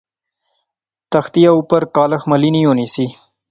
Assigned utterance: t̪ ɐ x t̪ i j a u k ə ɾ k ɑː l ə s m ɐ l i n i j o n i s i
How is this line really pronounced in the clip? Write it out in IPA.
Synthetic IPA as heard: t̪ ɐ x t̪ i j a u p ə ɾ k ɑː l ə x m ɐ l i n i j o n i s i